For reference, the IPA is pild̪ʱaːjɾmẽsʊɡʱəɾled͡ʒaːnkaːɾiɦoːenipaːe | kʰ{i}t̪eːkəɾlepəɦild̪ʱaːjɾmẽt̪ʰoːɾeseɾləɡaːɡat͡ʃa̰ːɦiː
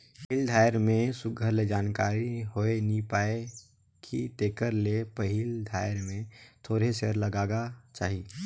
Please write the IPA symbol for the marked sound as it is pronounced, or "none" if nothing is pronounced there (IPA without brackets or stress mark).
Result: i